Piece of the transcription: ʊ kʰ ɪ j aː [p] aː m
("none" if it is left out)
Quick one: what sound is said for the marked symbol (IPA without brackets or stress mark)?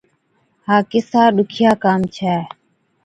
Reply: k